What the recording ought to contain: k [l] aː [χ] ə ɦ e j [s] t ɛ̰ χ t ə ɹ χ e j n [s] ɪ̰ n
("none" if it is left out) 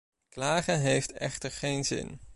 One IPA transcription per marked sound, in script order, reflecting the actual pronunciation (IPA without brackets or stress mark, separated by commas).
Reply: l, χ, f, z